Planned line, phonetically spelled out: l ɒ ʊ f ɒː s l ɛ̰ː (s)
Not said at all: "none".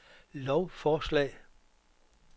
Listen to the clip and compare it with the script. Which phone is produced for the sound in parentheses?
none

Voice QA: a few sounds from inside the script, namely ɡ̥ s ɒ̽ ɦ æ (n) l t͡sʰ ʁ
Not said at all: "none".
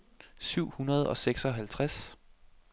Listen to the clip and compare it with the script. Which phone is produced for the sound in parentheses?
none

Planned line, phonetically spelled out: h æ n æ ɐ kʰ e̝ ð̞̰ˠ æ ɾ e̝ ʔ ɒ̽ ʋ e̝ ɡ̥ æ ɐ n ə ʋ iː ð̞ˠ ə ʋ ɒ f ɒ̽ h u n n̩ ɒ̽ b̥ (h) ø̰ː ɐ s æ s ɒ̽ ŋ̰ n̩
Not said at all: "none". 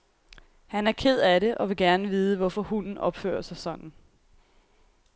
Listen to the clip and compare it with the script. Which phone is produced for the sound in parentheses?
f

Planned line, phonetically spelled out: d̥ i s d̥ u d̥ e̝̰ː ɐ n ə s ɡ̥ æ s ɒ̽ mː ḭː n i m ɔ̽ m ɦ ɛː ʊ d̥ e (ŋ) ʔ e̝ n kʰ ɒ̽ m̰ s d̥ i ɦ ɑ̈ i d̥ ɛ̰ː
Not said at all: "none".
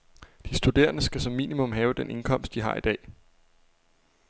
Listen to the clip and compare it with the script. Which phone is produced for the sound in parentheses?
n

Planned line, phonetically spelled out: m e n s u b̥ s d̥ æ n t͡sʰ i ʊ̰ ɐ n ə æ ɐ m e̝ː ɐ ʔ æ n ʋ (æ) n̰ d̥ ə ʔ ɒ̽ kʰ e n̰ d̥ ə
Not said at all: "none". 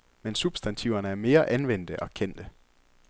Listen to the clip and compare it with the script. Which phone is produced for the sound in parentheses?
e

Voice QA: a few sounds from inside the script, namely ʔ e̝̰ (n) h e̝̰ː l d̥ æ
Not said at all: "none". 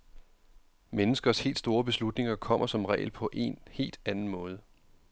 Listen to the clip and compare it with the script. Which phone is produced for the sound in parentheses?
n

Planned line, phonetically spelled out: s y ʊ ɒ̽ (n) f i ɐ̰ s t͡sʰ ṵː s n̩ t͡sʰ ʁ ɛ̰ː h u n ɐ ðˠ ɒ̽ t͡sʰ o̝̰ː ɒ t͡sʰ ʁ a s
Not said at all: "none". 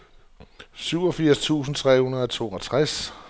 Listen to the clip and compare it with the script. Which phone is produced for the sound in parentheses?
none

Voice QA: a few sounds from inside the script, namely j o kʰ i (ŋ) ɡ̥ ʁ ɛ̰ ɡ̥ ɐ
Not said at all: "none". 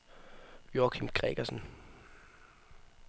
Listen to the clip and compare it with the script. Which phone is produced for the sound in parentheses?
m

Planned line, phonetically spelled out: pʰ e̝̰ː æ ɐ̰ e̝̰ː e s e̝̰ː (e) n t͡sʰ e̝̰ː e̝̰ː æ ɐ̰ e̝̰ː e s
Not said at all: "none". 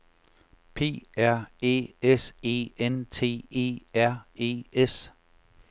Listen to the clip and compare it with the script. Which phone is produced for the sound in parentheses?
e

